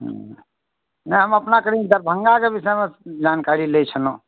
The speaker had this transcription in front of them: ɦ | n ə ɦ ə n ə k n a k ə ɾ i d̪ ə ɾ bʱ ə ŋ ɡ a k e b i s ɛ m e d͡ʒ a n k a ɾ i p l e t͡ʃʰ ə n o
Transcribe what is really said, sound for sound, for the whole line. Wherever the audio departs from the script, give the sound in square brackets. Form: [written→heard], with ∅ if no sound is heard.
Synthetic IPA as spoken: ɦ | n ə ɦ ə [n→m] ə [k→p] n a k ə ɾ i d̪ ə ɾ bʱ ə ŋ ɡ a k e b i s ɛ m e d͡ʒ a n k a ɾ i [p→∅] l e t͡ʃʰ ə n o